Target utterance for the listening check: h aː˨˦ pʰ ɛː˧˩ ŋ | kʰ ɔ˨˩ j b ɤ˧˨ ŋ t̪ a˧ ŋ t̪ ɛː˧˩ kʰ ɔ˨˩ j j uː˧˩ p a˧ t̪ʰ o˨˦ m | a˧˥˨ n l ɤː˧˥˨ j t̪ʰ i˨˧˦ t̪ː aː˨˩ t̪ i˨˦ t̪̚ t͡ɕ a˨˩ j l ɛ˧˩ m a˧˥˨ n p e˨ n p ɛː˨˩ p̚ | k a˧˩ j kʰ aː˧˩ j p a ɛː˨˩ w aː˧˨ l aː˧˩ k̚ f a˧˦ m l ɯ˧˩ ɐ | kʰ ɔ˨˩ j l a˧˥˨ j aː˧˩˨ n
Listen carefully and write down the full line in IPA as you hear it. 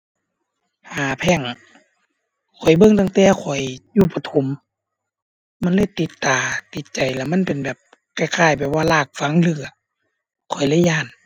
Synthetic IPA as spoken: h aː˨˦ pʰ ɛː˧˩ ŋ | kʰ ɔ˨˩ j b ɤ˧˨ ŋ t̪ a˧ ŋ t̪ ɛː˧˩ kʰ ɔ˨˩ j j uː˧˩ p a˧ t̪ʰ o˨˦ m | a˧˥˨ n l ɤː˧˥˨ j t̪ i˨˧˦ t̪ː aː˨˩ t̪ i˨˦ t̪̚ t͡ɕ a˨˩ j l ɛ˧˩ m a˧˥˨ n p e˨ n b ɛː˨˩ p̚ | k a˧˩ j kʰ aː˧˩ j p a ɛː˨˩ w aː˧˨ l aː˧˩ k̚ f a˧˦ ŋ l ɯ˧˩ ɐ | kʰ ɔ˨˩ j l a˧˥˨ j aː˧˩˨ n